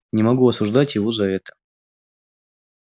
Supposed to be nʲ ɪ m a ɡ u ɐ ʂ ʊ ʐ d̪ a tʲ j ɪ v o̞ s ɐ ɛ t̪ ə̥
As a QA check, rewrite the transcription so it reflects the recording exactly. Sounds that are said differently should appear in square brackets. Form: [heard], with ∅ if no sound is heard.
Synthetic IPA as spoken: nʲ ɪ m [ɐ] ɡ u ɐ [s] ʊ ʐ d̪ a tʲ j ɪ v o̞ [z] ɐ ɛ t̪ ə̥